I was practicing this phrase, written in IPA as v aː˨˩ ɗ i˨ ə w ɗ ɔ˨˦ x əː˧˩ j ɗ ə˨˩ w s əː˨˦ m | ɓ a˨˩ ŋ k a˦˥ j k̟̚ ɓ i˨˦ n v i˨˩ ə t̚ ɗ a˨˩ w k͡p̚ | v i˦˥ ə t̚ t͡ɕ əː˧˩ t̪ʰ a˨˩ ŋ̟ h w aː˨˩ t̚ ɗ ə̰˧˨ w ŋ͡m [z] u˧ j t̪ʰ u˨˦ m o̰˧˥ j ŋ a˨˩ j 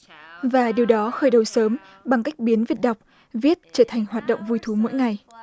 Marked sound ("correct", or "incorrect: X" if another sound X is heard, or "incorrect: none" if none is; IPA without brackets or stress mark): incorrect: v